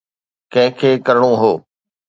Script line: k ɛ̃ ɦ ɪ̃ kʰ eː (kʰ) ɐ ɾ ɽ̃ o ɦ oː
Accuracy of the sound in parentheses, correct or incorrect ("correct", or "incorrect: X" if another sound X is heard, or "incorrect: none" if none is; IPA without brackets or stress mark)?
incorrect: k